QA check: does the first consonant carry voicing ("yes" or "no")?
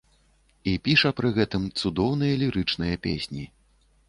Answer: no